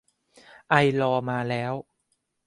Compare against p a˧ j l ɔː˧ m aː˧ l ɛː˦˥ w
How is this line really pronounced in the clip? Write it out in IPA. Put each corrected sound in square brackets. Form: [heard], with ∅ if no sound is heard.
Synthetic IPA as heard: [ʔ] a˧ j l ɔː˧ m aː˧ l ɛː˦˥ w